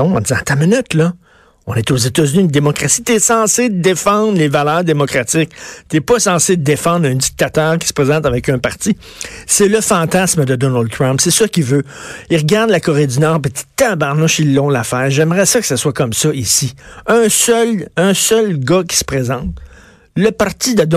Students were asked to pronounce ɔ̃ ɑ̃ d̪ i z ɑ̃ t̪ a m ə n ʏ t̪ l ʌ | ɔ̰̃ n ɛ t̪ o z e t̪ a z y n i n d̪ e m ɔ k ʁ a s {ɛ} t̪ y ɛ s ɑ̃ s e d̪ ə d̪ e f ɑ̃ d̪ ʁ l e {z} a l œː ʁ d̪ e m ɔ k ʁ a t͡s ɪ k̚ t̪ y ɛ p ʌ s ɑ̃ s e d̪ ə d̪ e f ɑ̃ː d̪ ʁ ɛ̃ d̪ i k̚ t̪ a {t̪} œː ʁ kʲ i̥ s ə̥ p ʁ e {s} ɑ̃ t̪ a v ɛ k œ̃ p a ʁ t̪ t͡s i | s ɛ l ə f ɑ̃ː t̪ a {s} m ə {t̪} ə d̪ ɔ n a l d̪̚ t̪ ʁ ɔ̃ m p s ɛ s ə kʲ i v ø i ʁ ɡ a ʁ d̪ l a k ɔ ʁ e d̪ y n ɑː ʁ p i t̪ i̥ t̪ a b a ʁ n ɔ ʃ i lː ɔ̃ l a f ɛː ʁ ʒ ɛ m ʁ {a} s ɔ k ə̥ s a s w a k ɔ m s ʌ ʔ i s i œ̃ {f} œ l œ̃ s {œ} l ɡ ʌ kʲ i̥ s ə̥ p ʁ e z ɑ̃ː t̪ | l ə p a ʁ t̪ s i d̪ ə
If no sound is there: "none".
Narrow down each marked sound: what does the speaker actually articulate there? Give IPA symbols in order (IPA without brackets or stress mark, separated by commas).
i, v, t̪, z, s, d̪, ɛ, s, œ